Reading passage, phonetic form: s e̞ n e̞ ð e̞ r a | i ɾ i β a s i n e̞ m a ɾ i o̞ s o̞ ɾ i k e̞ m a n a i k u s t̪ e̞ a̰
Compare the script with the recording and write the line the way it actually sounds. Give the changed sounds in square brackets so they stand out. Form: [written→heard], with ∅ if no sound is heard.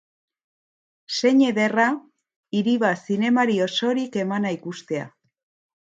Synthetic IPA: s e̞ [n→ɲ] e̞ ð e̞ r a | i ɾ i β a s i n e̞ m a ɾ i o̞ s o̞ ɾ i k e̞ m a n a i k u s t̪ e̞ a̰